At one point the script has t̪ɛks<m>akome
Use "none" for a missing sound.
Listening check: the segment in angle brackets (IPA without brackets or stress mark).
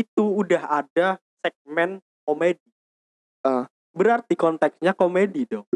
ɲ